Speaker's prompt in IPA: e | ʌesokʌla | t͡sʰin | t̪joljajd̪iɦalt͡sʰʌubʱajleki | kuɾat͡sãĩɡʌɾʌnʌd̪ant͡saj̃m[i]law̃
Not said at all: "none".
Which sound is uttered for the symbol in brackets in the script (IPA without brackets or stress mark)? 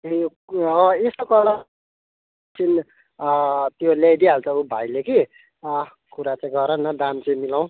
i